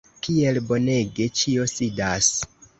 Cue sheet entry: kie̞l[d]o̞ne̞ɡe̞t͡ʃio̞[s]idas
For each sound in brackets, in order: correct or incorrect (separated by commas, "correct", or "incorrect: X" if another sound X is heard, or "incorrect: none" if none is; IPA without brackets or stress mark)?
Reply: incorrect: b, correct